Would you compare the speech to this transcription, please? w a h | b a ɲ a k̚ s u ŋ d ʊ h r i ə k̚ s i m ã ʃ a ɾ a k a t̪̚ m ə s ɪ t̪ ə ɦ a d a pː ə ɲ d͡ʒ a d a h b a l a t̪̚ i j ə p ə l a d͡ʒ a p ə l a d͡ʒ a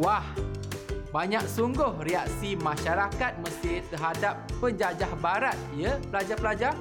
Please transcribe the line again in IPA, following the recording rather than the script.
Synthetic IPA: w a h | b a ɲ a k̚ s u ŋ ɡ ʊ h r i a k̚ s i m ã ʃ a ɾ a k a t̪̚ m ə s ɪ t̪ ə ɦ a d a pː ə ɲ d͡ʒ a d͡ʒ a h b a ɾ a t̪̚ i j ə p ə l a d͡ʒ a p ə l a d͡ʒ a